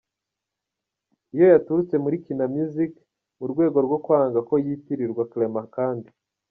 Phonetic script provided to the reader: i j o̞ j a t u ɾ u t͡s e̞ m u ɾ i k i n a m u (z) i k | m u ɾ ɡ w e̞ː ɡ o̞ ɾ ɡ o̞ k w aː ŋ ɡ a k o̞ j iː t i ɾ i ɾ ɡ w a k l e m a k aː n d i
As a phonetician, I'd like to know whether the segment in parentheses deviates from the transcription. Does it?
no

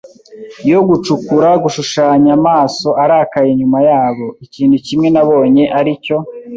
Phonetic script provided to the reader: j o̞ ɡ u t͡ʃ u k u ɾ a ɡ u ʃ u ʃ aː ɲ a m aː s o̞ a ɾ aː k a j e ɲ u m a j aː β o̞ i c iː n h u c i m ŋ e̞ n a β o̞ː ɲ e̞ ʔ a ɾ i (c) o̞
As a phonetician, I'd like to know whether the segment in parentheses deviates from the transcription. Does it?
no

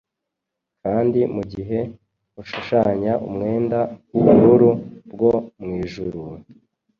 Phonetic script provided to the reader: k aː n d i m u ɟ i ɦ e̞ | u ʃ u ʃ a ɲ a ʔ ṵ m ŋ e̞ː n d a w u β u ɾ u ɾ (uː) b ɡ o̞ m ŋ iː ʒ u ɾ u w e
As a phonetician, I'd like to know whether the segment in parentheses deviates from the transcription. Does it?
yes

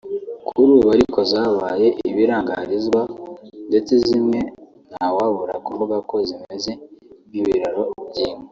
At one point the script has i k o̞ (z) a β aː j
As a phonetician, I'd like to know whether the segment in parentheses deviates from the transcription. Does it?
no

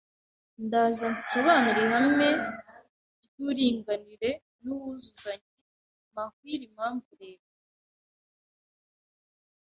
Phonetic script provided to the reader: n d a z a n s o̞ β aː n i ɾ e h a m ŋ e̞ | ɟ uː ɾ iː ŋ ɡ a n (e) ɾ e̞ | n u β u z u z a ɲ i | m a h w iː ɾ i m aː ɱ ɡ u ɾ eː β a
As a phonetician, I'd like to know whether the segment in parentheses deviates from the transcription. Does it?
yes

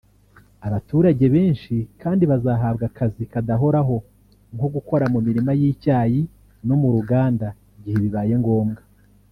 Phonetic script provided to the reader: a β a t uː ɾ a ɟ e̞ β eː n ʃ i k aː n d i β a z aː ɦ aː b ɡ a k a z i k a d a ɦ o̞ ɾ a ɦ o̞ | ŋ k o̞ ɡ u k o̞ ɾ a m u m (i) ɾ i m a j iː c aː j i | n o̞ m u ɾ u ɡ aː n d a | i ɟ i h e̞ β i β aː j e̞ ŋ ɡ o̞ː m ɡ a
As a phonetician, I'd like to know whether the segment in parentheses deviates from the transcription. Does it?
no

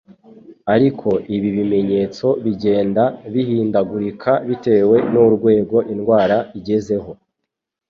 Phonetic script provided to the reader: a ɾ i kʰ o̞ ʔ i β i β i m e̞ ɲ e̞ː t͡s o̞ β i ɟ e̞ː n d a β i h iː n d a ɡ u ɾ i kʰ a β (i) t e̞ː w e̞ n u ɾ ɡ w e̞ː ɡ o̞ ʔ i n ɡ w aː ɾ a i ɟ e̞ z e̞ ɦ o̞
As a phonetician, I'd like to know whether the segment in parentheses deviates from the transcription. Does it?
no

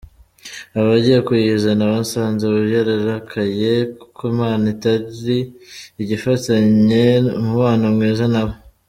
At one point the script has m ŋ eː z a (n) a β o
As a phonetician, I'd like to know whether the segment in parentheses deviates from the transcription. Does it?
no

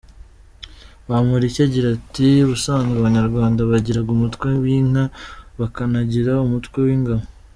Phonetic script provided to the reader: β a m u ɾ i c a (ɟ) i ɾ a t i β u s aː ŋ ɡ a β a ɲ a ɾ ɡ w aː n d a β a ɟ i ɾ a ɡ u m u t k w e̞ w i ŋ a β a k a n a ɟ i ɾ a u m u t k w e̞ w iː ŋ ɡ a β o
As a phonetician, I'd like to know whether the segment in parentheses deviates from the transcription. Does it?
no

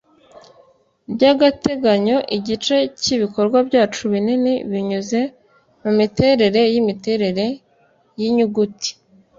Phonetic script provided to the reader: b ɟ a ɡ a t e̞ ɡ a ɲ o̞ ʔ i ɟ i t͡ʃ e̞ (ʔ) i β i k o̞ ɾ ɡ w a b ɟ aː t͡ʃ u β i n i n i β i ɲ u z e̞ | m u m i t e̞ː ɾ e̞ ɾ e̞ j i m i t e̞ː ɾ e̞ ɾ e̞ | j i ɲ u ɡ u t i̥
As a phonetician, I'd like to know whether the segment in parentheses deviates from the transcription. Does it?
yes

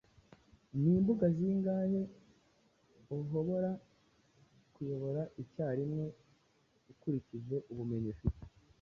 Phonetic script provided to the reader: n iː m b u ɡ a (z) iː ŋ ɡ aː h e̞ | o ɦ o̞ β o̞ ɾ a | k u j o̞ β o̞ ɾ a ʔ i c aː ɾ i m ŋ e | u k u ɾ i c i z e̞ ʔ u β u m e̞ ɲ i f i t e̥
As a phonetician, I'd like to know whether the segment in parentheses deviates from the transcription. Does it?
no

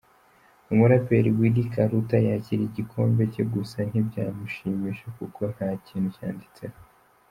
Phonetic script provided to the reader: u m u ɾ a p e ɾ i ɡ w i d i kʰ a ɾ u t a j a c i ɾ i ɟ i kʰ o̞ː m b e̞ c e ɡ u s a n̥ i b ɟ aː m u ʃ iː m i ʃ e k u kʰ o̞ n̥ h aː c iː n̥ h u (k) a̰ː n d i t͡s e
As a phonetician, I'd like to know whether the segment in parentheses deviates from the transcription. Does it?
yes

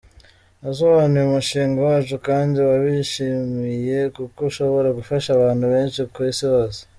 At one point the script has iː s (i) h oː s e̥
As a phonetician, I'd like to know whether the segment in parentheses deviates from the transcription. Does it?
no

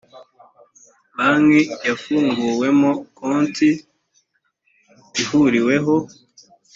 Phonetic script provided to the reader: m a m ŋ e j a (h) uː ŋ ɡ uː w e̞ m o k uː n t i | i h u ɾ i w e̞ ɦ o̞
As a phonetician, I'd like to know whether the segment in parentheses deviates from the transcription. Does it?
yes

